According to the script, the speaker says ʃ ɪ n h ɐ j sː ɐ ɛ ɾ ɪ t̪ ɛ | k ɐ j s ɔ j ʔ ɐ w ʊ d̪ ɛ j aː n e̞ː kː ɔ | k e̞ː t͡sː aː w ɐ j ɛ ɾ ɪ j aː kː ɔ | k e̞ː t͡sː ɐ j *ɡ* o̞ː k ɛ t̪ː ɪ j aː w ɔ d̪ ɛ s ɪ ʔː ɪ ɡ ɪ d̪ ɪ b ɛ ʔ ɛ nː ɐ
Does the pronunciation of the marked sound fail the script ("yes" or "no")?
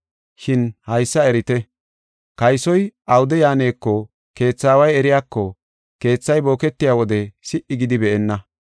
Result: yes